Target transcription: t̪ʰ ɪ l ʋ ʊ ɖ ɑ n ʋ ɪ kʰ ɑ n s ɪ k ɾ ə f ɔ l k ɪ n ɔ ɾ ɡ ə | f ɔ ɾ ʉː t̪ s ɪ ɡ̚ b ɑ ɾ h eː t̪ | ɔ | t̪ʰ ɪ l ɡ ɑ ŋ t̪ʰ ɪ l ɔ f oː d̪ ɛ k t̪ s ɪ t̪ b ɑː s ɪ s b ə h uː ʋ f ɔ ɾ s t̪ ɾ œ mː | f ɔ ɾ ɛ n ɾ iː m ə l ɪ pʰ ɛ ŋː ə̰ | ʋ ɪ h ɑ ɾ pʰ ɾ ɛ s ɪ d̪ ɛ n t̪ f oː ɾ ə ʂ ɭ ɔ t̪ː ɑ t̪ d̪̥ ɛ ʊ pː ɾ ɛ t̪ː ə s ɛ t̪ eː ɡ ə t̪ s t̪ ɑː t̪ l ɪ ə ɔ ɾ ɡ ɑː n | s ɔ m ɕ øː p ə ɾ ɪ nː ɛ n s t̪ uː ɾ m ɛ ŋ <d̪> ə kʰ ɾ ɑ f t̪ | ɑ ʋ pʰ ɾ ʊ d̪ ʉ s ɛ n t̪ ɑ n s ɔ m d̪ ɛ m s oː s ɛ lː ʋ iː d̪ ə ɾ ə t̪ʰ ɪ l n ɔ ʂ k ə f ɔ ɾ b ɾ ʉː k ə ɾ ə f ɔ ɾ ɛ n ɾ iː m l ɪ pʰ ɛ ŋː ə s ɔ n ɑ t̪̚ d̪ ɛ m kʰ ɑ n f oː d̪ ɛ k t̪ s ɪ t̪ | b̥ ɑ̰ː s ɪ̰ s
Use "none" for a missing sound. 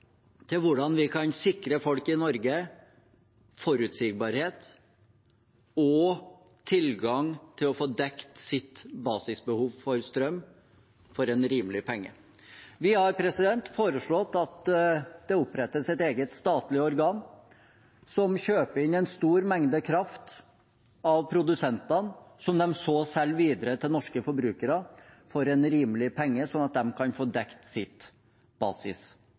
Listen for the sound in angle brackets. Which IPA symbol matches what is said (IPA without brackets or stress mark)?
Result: d̪